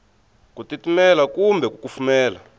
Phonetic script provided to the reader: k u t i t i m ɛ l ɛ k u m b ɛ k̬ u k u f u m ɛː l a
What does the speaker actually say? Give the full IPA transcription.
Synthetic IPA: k u t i t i m ɛ l a k u m b ɛ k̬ u k u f u m ɛː l a